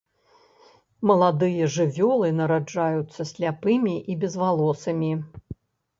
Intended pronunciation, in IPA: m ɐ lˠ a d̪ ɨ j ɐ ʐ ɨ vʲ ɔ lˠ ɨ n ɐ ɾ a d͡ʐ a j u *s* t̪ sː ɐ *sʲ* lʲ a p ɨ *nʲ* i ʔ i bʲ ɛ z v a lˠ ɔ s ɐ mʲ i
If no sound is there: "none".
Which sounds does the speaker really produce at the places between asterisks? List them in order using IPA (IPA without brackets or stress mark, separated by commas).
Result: none, sʲ, mʲ